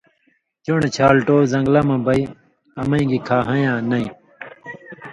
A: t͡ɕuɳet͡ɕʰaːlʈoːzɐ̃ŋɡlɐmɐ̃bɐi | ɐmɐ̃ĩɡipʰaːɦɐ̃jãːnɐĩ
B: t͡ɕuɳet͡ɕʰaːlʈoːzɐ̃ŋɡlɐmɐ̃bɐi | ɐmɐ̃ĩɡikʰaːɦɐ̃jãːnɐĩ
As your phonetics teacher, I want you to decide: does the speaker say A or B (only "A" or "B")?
B